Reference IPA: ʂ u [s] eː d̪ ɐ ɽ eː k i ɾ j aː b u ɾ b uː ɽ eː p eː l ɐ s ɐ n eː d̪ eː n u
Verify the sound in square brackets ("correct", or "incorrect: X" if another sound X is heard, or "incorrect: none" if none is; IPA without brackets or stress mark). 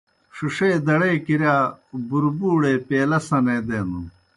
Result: incorrect: ʂ